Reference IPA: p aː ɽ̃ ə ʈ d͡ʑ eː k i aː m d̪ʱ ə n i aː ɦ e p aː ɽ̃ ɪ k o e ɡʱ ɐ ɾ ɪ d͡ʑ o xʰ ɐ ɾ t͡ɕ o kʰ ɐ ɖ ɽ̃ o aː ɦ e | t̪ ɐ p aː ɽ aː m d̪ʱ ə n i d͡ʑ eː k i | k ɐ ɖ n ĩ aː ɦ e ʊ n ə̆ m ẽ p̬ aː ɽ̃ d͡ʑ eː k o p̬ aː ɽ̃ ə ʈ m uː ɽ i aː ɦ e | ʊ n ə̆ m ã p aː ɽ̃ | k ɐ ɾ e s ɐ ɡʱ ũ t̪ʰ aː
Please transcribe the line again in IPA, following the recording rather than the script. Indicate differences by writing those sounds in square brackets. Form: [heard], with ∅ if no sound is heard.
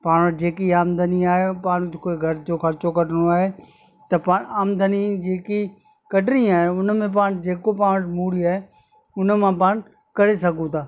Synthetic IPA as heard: p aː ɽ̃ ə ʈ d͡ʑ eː k i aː m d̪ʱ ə n i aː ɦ e p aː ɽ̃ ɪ k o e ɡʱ ɐ ɾ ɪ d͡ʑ o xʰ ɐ ɾ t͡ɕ o [k] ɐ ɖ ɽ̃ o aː ɦ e | t̪ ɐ p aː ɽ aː m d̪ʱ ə n i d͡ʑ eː k i | k ɐ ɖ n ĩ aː ɦ e ʊ n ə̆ m ẽ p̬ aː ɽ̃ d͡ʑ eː k o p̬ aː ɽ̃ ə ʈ m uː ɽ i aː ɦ e | ʊ n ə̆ m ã p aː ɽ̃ | k ɐ ɾ e s ɐ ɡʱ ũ t̪ʰ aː